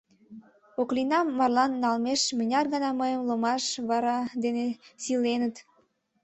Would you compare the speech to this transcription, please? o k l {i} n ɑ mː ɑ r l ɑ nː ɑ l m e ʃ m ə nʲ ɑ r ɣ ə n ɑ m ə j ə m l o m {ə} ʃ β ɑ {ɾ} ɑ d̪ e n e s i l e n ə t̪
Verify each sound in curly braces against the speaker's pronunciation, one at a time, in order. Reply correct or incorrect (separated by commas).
correct, incorrect, correct